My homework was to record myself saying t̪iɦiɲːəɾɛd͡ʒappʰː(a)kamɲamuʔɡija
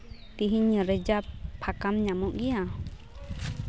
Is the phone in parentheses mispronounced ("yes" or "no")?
no